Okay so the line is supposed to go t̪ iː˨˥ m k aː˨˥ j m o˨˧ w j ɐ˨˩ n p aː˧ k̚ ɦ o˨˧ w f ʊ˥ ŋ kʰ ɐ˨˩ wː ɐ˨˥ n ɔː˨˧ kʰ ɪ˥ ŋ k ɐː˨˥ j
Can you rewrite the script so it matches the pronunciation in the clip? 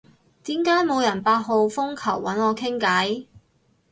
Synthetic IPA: t̪ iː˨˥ m k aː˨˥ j m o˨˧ w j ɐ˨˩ n p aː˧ t̚ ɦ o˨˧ w f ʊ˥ ŋ kʰ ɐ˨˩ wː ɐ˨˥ n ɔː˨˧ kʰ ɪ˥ ŋ k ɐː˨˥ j